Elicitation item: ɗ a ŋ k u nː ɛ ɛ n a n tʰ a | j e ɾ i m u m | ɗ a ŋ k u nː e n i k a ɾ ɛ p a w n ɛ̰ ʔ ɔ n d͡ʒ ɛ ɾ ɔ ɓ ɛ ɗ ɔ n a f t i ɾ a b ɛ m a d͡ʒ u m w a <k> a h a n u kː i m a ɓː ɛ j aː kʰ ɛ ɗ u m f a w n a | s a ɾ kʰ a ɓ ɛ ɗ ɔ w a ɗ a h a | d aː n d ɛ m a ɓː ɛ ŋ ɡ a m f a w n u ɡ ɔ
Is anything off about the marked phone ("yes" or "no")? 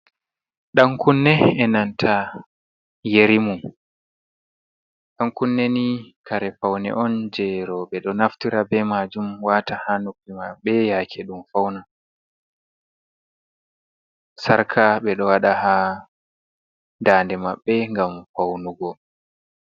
yes